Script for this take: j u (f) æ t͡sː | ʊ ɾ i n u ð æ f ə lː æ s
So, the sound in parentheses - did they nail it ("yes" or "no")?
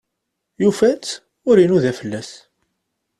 yes